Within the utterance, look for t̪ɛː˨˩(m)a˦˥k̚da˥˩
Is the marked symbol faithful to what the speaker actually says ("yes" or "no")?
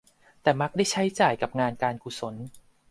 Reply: yes